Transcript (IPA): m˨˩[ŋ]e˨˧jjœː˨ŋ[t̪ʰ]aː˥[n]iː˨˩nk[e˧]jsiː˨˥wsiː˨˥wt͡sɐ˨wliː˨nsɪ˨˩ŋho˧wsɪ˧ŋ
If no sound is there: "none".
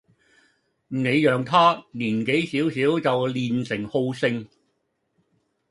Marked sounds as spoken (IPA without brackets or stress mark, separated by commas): n, t̪ʰ, n, e˨˥